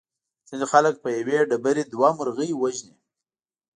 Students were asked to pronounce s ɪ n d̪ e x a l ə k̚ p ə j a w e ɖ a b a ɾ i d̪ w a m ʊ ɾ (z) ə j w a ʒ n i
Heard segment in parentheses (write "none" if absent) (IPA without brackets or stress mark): ɣ